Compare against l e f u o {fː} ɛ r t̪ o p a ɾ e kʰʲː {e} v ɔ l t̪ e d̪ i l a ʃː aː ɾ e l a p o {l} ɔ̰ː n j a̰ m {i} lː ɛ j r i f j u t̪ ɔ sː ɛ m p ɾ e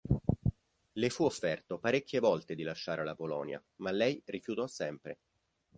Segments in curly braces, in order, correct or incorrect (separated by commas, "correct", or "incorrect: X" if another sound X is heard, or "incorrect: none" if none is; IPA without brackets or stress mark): correct, correct, correct, incorrect: a